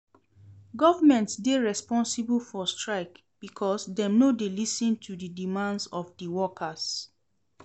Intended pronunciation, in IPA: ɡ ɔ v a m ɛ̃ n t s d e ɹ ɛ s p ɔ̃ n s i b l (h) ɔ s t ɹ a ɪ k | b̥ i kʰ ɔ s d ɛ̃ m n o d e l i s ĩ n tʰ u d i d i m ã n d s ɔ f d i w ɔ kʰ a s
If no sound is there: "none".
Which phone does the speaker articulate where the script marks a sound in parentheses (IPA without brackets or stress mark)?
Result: f